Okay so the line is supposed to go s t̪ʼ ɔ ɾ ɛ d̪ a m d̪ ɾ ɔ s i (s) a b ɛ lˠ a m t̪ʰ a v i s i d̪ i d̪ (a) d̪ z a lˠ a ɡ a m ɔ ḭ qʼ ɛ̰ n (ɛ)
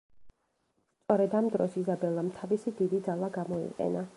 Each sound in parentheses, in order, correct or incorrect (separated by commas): incorrect, incorrect, incorrect